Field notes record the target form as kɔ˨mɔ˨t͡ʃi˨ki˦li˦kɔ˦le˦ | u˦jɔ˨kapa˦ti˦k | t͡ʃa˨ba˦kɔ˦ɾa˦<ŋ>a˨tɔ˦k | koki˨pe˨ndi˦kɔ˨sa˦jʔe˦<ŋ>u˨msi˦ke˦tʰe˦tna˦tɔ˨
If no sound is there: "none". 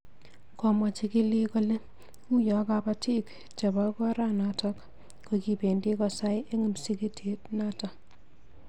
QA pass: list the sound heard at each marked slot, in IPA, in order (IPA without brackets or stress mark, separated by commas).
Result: n, ŋ